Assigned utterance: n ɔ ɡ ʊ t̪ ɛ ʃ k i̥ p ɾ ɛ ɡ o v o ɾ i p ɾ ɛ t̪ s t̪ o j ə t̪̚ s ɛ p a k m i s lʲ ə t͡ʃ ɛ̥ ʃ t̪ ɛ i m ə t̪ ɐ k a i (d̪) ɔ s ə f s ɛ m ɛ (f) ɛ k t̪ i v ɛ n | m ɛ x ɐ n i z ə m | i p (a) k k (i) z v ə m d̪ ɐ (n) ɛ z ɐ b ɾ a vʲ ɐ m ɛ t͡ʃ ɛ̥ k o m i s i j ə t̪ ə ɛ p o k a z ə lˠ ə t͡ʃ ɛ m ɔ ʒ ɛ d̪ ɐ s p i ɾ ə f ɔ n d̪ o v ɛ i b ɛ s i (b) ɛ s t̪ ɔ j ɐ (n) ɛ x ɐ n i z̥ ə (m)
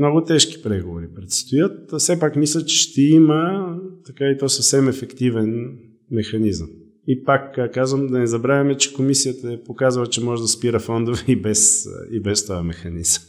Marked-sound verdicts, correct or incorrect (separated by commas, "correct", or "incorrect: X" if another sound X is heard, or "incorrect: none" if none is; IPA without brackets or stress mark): incorrect: t̪, correct, correct, incorrect: a, correct, correct, incorrect: m, correct